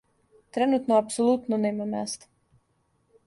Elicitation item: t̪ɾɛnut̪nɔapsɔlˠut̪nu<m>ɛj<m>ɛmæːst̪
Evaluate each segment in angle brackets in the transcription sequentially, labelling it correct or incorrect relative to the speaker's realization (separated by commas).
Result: incorrect, correct